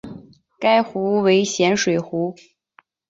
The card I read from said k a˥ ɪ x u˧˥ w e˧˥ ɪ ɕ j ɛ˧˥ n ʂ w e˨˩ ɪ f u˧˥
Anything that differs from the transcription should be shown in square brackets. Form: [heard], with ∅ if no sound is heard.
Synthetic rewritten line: k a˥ ɪ x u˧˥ w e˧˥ ɪ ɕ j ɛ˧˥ n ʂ w e˨˩ ɪ [x] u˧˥